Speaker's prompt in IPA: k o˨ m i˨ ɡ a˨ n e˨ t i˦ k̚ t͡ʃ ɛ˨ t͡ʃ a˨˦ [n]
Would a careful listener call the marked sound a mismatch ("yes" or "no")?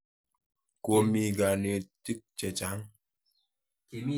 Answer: yes